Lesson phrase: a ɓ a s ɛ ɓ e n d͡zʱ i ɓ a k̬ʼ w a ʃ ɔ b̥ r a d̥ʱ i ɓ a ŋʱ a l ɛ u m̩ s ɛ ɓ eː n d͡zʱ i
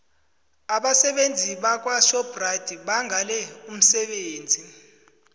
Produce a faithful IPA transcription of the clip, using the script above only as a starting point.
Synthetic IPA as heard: a ɓ a s ɛ ɓ e n d͡zʱ i ɓ a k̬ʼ w a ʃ ɔ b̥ r a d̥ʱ i ɓ a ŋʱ a l ɛ u m̩ s ɛ ɓ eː n d͡zʱ i